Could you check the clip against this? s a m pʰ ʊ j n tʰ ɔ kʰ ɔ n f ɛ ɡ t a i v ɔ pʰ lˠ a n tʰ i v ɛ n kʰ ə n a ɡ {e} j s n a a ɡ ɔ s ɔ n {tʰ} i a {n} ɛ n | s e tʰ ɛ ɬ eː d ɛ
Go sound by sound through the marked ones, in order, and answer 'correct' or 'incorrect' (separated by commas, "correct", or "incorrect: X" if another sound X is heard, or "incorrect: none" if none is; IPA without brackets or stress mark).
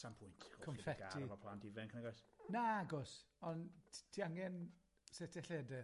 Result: incorrect: a, correct, incorrect: ŋ